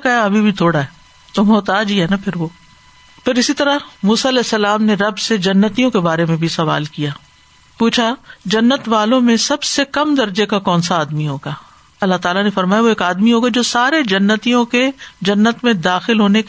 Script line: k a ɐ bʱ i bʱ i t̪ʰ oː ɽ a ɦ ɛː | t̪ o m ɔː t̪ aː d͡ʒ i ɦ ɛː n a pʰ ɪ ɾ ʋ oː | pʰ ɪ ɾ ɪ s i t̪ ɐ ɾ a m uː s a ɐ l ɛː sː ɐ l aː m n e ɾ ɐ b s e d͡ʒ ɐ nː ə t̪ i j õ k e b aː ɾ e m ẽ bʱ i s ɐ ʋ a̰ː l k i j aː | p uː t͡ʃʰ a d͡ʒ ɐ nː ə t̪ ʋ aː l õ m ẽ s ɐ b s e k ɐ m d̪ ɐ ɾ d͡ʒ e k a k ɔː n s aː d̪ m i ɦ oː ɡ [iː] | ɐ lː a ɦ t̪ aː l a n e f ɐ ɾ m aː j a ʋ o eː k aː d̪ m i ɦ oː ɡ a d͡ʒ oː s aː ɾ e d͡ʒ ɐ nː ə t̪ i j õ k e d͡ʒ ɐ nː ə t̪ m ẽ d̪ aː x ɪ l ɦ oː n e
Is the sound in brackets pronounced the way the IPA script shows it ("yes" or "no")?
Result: no